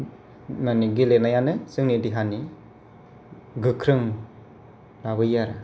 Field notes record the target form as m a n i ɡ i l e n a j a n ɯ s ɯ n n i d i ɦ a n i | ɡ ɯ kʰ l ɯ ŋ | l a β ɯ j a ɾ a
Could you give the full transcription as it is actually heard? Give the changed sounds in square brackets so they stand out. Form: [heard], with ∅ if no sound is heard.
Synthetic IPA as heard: m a n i ɡ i l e n a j a n ɯ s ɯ [ŋ] n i d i ɦ a n i | ɡ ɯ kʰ [ɾ] ɯ ŋ | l a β ɯ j a ɾ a